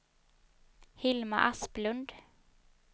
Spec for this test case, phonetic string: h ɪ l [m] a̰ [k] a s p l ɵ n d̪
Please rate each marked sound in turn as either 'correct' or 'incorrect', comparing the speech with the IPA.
correct, incorrect

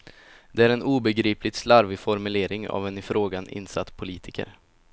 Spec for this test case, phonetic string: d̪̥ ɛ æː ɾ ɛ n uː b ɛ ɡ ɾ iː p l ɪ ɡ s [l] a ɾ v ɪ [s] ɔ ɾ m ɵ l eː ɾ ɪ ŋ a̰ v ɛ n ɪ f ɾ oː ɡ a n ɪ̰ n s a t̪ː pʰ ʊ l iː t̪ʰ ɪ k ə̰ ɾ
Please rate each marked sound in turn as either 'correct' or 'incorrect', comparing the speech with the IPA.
correct, incorrect

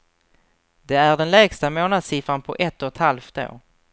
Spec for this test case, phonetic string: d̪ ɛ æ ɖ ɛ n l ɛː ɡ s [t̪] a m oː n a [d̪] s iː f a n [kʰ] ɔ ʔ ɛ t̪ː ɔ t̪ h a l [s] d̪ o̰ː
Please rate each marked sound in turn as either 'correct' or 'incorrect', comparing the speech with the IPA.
correct, correct, incorrect, incorrect

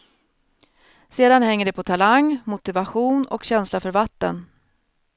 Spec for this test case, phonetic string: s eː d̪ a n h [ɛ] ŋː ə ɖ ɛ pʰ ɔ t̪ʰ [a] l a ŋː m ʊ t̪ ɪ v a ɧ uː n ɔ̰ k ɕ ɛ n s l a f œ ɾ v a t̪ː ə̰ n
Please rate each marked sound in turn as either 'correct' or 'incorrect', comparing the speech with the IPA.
correct, correct

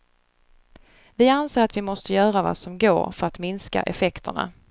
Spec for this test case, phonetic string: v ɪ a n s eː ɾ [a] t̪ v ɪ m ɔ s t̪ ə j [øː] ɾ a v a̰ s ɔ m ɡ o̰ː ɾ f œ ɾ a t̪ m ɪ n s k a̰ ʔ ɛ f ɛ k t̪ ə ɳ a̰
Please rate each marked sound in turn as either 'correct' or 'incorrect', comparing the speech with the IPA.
correct, incorrect

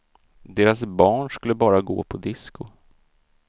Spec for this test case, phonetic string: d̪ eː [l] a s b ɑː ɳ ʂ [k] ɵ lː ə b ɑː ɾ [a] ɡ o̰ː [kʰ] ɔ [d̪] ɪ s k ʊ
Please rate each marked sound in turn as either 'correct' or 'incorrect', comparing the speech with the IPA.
incorrect, correct, correct, incorrect, correct

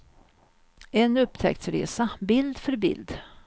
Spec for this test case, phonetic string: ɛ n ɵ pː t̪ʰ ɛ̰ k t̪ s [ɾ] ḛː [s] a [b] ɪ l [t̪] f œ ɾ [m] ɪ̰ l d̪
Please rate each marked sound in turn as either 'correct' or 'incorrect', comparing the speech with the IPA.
correct, correct, correct, incorrect, incorrect

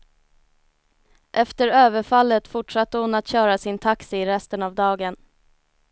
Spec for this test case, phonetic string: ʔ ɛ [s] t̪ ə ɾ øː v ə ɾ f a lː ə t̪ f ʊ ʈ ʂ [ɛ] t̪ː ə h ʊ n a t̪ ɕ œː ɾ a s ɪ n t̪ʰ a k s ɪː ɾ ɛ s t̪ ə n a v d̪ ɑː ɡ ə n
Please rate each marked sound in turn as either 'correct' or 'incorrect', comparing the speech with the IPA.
incorrect, incorrect

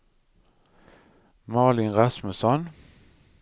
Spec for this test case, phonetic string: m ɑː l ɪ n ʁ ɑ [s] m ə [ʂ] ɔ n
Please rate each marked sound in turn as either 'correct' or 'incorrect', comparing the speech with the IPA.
correct, incorrect

